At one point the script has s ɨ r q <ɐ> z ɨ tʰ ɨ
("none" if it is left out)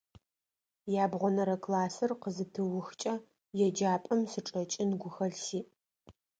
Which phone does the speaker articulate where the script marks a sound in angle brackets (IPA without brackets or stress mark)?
ə